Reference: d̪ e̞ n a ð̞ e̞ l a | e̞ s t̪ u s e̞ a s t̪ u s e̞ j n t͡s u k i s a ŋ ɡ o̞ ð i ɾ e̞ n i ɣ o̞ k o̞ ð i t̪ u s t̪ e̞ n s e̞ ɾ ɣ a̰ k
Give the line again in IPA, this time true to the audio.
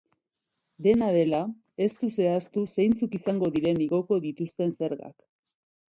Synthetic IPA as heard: d̪ e̞ n a ð̞ e̞ l a | e̞ s t̪ u s e̞ a s t̪ u s e̞ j n t͡s u k i s a ŋ ɡ o̞ ð i ɾ e̞ n i ɣ o̞ k o̞ ð i t̪ u s t̪ e̞ n s e̞ ɾ ɣ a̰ k